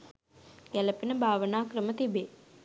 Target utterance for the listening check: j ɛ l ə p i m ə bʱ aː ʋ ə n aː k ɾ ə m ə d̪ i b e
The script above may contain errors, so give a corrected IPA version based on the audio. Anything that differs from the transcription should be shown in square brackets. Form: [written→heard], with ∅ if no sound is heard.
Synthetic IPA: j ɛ l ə p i [m→n] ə bʱ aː ʋ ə n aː k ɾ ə m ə [d̪→t̪] i b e